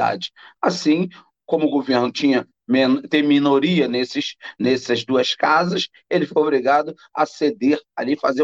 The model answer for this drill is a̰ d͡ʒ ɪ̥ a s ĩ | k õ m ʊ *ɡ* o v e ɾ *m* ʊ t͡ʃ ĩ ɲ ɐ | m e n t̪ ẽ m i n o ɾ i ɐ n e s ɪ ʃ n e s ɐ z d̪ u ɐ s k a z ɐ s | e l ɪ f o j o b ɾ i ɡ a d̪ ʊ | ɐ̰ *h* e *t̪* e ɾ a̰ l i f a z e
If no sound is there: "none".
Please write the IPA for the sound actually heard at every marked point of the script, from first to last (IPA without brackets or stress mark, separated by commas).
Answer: ɡ, n, s, d̪